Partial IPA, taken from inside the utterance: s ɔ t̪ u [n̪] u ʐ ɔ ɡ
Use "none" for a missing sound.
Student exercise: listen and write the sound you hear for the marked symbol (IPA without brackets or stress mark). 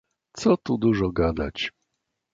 d̪